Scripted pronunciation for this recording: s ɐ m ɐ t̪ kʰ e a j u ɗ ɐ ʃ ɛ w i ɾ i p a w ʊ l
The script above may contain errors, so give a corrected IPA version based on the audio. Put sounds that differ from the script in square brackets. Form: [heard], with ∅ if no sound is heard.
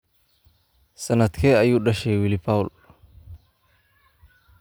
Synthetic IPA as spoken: s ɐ [n] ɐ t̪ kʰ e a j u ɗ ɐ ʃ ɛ w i [l] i p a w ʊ l